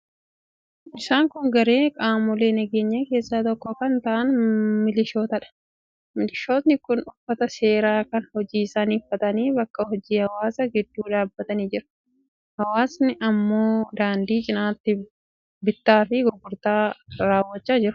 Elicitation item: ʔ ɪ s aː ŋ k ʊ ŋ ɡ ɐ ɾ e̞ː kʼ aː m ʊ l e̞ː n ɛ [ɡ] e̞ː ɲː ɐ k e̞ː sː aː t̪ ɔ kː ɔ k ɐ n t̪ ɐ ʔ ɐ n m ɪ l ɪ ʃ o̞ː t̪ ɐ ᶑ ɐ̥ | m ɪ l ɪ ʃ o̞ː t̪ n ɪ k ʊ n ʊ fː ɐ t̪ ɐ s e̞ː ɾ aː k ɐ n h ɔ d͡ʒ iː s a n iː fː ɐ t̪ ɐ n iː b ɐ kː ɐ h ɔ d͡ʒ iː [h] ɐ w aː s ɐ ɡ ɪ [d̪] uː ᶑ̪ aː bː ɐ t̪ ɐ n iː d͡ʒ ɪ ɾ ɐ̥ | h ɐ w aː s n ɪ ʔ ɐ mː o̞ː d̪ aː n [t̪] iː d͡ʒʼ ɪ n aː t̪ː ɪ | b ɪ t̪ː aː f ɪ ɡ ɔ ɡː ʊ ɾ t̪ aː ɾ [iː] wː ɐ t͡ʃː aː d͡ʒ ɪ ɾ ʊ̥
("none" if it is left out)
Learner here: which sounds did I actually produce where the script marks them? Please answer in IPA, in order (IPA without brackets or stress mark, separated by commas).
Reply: ɡ, h, d̪ː, d̪, aː